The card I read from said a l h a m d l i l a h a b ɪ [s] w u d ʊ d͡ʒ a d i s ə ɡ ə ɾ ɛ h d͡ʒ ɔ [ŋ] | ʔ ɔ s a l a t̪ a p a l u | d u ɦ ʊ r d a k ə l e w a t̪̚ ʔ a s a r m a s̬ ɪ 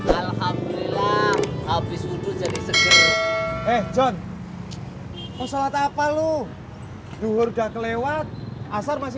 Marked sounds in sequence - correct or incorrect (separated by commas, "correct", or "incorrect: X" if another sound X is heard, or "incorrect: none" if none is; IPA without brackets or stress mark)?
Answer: correct, incorrect: n